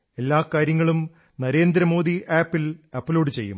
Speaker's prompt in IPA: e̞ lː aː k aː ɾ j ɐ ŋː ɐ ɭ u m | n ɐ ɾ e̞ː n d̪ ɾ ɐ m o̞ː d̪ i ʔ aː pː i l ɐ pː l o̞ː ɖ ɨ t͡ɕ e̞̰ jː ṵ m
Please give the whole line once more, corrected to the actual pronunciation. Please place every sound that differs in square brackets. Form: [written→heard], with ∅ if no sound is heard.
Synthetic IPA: e̞ lː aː k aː ɾ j ɐ ŋː ɐ ɭ u m | n ɐ ɾ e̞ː n d̪ ɾ ɐ m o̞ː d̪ i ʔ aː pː i l ɐ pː l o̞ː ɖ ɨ t͡ɕ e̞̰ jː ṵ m

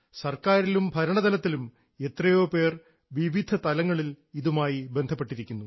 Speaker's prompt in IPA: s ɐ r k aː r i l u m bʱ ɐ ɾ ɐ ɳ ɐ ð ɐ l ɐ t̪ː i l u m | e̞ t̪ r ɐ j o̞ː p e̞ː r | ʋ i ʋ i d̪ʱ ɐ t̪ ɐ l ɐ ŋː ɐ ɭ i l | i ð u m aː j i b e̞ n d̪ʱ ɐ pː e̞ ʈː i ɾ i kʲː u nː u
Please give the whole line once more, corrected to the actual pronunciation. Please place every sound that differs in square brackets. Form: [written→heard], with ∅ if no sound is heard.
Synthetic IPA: s ɐ r k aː [r→ɾ] i l u m bʱ ɐ ɾ ɐ ɳ ɐ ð ɐ l ɐ t̪ː i l u m | e̞ t̪ r ɐ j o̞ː p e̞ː r | ʋ i ʋ i d̪ʱ ɐ t̪ ɐ l ɐ ŋː ɐ ɭ i l | i ð u m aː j i b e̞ n d̪ʱ ɐ pː e̞ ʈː i ɾ i kʲː u nː u

